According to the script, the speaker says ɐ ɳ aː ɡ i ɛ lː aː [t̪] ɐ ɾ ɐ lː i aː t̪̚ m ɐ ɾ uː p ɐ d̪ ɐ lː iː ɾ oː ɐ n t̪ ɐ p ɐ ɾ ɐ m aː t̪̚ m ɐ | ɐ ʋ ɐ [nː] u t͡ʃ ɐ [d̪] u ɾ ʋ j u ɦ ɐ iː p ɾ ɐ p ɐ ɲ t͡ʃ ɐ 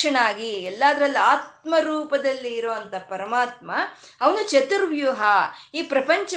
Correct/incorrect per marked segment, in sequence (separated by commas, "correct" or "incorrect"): incorrect, incorrect, incorrect